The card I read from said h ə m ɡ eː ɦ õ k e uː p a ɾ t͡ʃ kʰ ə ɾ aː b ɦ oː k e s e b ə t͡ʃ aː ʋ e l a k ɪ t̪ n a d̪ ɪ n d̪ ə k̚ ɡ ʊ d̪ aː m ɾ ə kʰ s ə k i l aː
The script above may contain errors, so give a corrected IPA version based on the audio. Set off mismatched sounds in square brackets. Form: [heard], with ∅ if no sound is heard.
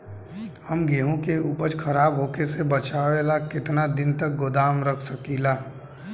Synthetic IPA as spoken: h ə m ɡ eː ɦ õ k e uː p [ə] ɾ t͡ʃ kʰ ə ɾ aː b ɦ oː k e s e b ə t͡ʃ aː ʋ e l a k ɪ t̪ n a d̪ ɪ n [t̪] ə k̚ ɡ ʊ d̪ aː m ɾ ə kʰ s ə k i l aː